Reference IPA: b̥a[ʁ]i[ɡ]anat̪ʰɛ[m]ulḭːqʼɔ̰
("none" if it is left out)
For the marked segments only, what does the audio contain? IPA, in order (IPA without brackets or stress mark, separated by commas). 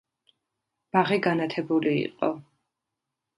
ʁ, ɡ, b